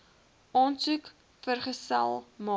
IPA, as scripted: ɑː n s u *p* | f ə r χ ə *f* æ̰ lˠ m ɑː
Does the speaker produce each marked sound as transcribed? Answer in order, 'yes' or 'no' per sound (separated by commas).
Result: no, no